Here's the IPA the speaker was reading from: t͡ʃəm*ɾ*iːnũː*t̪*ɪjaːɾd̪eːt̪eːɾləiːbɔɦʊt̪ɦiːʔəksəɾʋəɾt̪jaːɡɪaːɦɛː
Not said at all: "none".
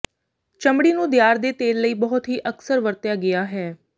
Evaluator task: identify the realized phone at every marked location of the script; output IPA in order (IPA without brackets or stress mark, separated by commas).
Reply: ɽ, d̪